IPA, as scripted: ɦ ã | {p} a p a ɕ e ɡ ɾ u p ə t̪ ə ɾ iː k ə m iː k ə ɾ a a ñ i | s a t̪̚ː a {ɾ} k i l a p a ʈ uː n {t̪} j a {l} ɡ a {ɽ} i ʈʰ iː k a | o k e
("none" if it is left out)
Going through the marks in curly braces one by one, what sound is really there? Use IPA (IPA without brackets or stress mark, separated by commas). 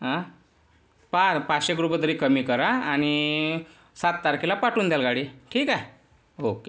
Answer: p, ɾ, d̪, l, ɽ